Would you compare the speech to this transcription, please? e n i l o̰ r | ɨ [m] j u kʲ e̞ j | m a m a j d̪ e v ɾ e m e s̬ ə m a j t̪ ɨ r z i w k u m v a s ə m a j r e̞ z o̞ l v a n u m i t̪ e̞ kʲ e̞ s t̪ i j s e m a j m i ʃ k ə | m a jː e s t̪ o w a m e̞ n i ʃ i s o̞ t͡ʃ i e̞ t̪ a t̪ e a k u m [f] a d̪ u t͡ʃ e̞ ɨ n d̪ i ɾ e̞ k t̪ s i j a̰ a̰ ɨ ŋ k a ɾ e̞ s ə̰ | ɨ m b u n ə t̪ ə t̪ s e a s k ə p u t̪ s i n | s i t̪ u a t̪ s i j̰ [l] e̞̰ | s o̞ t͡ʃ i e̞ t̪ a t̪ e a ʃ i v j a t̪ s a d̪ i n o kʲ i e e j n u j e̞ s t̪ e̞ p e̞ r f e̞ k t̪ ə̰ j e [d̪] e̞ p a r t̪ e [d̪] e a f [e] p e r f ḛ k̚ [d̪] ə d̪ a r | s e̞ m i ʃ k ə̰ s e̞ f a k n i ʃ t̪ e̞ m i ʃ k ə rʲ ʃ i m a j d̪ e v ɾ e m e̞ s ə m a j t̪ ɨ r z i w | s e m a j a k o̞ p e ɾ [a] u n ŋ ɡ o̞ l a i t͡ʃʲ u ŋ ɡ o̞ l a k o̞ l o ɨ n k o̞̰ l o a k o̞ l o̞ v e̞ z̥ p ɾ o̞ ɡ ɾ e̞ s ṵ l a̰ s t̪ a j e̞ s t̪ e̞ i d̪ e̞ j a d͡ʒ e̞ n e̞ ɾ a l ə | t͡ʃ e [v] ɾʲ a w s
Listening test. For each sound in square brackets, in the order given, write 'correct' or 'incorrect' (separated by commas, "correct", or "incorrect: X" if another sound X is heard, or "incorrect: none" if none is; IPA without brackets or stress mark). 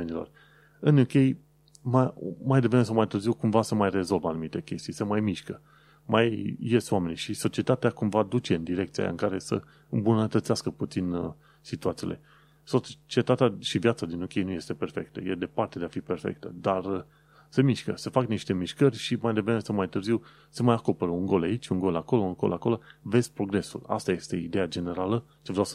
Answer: incorrect: n, incorrect: v, correct, correct, correct, incorrect: i, incorrect: t̪, incorrect: ə, correct